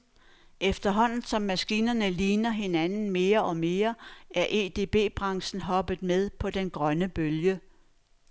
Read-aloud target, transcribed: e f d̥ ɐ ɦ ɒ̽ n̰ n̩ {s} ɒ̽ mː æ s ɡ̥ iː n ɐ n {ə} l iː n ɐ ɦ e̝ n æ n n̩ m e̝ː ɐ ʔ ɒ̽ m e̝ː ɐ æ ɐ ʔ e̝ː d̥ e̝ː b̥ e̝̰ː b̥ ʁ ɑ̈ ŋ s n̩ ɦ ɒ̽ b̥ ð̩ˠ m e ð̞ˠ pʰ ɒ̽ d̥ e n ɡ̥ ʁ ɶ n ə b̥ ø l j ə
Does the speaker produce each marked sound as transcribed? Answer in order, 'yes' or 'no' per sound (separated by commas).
yes, yes